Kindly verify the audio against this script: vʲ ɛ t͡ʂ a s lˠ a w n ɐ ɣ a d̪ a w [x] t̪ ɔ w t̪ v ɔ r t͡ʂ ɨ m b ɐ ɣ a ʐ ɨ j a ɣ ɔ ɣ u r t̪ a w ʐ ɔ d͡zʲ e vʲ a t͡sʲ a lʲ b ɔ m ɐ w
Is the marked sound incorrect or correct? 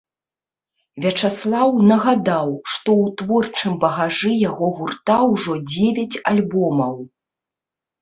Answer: incorrect